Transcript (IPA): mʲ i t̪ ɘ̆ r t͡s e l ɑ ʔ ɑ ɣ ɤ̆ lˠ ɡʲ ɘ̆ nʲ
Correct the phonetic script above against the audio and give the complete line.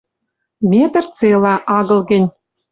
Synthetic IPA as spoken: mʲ e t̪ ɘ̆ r t͡s e l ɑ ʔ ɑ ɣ ɤ̆ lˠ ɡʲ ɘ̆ nʲ